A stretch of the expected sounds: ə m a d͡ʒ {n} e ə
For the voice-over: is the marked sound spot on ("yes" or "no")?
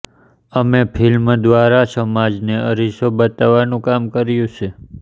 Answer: yes